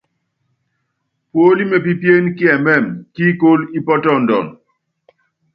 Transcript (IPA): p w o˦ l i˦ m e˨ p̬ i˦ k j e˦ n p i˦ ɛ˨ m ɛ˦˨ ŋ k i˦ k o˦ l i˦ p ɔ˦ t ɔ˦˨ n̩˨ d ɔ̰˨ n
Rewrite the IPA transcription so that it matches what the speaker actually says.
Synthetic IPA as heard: p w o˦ l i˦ m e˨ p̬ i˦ p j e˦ n k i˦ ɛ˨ m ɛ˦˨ m k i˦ k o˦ l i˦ p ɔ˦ t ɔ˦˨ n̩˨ d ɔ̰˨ n